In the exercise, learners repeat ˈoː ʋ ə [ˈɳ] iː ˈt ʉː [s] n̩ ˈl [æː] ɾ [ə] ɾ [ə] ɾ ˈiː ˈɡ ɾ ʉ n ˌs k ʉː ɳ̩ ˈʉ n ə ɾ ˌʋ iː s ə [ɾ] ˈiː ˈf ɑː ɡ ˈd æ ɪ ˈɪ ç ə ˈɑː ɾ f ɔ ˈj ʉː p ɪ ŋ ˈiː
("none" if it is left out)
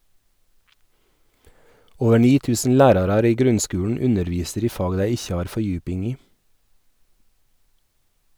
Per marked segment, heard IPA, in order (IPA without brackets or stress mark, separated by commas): ɳ, s, æː, ɑ, ɑ, ɾ